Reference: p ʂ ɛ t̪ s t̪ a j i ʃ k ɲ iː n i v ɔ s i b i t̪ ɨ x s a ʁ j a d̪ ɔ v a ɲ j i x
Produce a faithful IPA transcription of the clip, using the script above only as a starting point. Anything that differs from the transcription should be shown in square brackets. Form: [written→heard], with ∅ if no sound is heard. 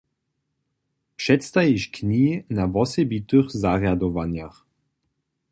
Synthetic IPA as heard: p ʂ ɛ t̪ s t̪ a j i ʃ k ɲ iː n [i→a] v ɔ s [i→ɛ] b i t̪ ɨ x [s→z] a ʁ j a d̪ ɔ v a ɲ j [i→a] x